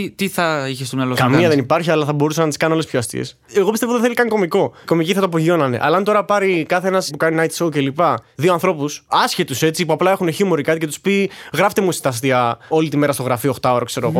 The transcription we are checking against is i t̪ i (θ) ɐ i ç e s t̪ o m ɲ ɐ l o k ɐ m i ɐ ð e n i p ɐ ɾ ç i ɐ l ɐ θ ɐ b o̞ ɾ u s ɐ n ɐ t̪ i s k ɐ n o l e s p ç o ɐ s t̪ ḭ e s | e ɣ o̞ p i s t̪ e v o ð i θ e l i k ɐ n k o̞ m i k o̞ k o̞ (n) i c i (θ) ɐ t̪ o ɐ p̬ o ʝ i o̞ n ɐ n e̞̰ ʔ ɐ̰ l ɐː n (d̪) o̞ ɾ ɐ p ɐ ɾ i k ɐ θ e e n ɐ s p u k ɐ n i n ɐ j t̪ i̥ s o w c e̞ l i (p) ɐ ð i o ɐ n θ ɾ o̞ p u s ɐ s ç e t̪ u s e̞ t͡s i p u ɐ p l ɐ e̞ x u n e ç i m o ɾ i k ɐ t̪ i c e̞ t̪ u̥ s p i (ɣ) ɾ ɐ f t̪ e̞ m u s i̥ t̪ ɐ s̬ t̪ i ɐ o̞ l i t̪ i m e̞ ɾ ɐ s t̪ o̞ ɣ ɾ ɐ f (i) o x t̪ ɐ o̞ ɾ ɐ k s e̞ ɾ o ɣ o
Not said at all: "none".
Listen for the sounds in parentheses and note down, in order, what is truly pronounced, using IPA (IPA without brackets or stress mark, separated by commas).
θ, m, θ, t̪, p, ɣ, i